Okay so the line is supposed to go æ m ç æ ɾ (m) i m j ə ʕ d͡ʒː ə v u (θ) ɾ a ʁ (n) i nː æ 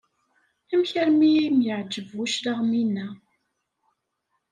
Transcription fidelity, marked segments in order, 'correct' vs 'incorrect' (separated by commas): correct, incorrect, incorrect